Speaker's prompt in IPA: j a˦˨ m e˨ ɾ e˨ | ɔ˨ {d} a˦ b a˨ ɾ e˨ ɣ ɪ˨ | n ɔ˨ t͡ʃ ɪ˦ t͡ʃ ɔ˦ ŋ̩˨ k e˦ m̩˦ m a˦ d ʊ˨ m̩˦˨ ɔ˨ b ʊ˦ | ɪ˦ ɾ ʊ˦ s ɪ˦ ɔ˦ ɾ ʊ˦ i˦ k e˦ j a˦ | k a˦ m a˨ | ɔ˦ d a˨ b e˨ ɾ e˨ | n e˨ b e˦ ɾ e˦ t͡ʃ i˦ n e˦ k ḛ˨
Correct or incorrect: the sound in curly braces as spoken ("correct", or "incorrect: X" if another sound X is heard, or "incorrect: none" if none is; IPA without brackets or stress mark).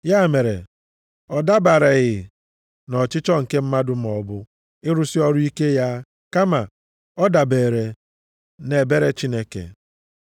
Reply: correct